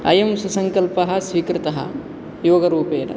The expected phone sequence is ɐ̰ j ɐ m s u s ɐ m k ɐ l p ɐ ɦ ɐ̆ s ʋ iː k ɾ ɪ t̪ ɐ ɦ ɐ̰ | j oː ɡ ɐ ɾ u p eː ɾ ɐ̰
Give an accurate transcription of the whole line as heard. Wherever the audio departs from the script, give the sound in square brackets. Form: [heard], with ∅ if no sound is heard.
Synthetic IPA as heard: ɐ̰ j ɐ m s u s ɐ [ŋ] k ɐ l p ɐ ɦ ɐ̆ s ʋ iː k ɾ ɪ t̪ ɐ ɦ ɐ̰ | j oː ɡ ɐ ɾ [uː] p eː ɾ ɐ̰